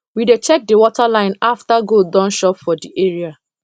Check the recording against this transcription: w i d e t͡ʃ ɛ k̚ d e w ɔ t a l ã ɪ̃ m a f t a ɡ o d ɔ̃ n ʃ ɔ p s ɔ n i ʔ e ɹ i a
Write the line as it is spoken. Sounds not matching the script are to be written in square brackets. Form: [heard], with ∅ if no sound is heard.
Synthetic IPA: w i d e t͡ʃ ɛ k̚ d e w ɔ t a l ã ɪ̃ [n] a f t a ɡ o d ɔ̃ n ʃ ɔ p [f] ɔ [d] i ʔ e ɹ i a

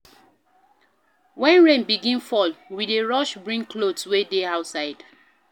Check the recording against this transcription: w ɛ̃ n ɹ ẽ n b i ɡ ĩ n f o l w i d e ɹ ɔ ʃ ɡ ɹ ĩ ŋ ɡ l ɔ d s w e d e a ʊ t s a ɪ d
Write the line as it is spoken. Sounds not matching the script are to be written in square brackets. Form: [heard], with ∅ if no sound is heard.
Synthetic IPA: w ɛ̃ n ɹ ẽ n b i ɡ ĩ n f [ɔ] l w i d e ɹ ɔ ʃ [b] ɹ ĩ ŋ [k] l [o] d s w e d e a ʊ t s a ɪ d

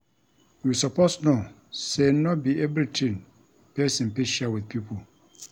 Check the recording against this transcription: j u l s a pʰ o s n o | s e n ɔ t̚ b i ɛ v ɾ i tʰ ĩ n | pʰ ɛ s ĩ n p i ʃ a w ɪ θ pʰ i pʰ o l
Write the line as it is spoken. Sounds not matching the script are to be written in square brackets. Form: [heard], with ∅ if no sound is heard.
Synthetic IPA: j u [∅] s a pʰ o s n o | s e n ɔ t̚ b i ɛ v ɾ i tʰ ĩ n | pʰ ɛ s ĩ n p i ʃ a w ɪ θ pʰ i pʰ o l

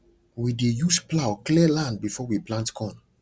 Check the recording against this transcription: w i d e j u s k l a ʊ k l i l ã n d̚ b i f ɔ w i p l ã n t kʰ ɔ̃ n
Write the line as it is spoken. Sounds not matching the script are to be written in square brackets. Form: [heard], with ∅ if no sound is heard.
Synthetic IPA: w i d e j u s [p] l a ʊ k l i l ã n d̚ b i f ɔ w i p l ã n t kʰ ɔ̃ n

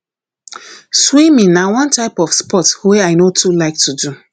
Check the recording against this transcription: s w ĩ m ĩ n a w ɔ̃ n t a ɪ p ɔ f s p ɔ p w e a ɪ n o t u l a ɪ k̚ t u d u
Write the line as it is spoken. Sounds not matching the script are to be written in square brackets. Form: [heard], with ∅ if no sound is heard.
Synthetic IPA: s w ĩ m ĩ n a w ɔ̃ n t a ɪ p ɔ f s p ɔ [t] w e a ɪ n o t u l a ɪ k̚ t u d u

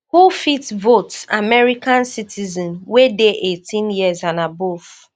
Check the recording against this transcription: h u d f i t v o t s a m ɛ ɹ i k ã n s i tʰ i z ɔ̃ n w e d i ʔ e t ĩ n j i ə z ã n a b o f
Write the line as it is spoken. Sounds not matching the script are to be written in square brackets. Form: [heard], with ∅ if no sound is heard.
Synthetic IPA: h u [∅] f i t v o t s a m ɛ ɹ i k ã n s i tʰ i z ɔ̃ n w e d [e] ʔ e t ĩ n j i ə z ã n a b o f

